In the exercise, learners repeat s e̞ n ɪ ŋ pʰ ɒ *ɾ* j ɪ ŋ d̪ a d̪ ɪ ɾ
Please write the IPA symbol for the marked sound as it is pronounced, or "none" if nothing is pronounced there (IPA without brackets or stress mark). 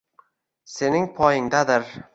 none